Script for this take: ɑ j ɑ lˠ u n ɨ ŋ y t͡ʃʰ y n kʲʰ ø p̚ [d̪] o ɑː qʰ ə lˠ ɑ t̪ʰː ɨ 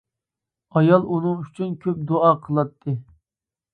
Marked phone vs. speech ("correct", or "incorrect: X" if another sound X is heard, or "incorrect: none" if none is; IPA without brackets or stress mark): correct